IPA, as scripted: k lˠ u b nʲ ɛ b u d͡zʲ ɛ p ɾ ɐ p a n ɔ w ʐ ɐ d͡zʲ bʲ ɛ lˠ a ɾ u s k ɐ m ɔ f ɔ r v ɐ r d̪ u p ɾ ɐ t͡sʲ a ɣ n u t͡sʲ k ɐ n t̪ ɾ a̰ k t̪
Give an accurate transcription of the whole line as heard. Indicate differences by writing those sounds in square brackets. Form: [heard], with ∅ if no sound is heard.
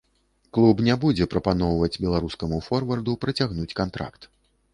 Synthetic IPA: k lˠ u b nʲ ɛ b u d͡zʲ ɛ p ɾ ɐ p a n ɔ w [v] ɐ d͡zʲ bʲ ɛ lˠ a ɾ u s k ɐ m [u] f ɔ r v ɐ r d̪ u p ɾ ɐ t͡sʲ a ɣ n u t͡sʲ k [a] n t̪ ɾ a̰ k t̪